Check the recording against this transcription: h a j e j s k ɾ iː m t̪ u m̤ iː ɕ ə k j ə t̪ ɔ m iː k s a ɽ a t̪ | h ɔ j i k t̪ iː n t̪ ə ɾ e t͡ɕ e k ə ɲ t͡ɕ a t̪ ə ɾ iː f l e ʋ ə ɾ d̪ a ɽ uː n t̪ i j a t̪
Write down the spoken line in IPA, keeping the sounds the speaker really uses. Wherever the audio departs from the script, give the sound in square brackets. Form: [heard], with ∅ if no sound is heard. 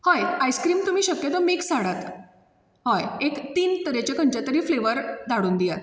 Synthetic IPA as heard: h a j [a] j s k ɾ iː m t̪ u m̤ iː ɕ ə k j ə t̪ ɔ m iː k s a ɽ a t̪ | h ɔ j [e] k t̪ iː n t̪ ə ɾ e t͡ɕ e k ə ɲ t͡ɕ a t̪ ə ɾ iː f l e ʋ ə ɾ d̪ a ɽ uː n [d̪] i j a t̪